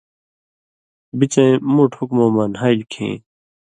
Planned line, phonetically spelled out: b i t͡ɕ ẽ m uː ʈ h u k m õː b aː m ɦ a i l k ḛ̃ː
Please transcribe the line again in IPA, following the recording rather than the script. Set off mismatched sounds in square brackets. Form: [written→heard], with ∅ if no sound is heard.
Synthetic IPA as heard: b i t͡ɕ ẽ m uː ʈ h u k m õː [b→m] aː [m→n] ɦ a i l [k→kʰ] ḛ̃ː